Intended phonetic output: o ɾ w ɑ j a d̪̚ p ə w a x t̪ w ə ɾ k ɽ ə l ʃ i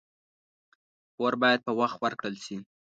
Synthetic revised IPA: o ɾ b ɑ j a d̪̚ p ə w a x t̪ w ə ɾ k ɽ ə l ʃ i